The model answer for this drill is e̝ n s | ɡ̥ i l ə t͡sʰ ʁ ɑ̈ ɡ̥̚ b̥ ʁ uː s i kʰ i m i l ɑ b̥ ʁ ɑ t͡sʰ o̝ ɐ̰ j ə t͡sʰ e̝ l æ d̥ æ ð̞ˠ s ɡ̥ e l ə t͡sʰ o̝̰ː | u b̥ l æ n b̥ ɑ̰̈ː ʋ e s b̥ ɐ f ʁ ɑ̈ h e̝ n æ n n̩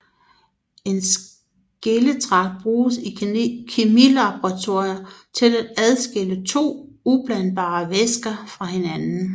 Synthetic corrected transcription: e̝ n s | ɡ̥ e l ə t͡sʰ ʁ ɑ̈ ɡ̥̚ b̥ ʁ uː s i kʰ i m i l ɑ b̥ ʁ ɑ t͡sʰ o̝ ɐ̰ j ɐ t͡sʰ e̝ l æ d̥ æ ð̞ˠ s ɡ̥ e l ə t͡sʰ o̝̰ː | u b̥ l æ n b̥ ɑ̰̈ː ʋ e s ɡ̥ ɐ f ʁ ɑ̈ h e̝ n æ n n̩